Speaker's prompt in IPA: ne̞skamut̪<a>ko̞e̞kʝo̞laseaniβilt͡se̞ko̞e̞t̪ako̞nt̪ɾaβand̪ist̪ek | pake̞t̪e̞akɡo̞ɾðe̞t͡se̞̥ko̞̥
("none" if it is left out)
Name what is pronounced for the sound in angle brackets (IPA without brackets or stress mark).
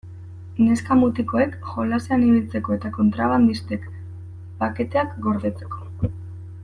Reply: i